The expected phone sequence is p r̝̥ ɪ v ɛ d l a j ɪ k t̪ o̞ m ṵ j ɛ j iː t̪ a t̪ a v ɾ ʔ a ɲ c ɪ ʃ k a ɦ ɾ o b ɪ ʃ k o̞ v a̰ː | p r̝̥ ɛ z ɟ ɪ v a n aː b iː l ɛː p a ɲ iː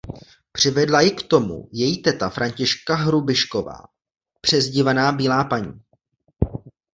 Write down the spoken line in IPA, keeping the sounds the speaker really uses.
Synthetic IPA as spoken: p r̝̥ ɪ v ɛ d l a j ɪ k t̪ o̞ m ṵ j ɛ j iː t̪ ɛ t̪ a f ɾ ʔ a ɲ c ɪ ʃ k a ɦ ɾ u b ɪ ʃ k o̞ v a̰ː | p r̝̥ ɛ z ɟ ɪ v a n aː b iː l aː p a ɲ iː